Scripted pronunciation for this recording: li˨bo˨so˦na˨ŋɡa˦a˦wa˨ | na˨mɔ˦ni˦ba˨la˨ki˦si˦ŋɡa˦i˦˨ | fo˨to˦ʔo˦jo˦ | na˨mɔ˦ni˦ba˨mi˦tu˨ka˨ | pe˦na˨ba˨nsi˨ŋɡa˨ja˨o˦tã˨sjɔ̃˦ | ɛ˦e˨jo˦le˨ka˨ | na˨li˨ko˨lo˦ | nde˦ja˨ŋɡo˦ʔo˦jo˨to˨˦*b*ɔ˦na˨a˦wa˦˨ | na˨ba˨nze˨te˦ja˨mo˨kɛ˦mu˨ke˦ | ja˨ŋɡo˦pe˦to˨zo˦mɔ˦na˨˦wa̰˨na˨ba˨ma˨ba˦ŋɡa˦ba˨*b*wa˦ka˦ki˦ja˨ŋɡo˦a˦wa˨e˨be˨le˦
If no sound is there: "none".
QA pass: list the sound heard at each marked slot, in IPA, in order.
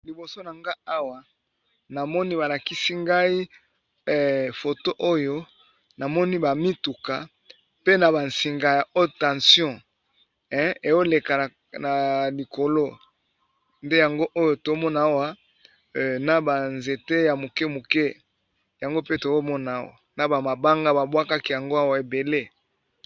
m, b

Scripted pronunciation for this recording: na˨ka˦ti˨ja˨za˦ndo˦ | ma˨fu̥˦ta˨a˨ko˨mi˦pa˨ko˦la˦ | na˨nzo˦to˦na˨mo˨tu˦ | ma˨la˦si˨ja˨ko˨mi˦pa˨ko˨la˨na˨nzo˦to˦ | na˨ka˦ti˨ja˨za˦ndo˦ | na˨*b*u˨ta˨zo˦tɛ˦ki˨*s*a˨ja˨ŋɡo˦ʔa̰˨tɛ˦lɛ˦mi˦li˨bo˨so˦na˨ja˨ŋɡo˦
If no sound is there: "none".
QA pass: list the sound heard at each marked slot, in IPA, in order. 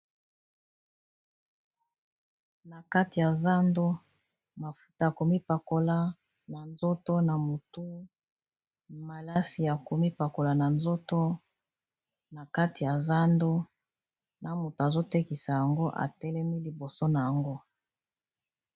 m, s

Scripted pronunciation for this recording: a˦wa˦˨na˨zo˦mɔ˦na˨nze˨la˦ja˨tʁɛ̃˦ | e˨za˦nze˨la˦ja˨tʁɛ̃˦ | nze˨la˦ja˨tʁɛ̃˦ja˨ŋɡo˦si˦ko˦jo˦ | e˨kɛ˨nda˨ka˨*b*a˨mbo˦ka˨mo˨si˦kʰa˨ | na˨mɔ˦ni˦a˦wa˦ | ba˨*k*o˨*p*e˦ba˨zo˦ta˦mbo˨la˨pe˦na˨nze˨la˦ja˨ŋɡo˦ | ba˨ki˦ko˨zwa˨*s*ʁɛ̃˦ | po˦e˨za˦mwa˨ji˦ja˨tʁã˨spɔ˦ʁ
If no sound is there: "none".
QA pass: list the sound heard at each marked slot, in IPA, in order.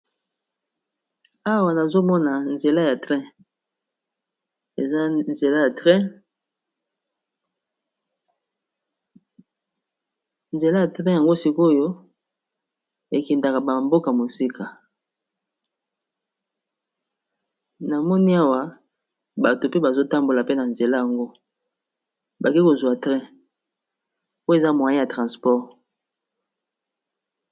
b, t, p, t

